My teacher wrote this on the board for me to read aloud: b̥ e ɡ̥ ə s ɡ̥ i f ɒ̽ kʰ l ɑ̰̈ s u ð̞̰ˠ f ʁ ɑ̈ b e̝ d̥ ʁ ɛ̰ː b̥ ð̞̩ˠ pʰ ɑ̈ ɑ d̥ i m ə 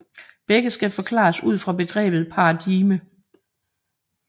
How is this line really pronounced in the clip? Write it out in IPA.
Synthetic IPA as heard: b̥ e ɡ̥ ə s ɡ̥ æ f ɒ̽ kʰ l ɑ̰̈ s u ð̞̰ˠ f ʁ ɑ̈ b e̝ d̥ ʁ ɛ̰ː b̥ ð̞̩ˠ pʰ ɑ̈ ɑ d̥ i m ə